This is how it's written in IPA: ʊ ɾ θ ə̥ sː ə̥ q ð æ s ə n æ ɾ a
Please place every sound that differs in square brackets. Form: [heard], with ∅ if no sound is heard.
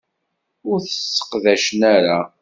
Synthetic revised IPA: ʊ ɾ θ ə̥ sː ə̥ q ð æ [ʃ] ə n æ ɾ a